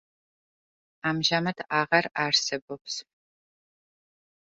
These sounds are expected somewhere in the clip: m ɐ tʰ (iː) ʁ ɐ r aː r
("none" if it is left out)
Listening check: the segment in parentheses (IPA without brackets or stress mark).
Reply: aː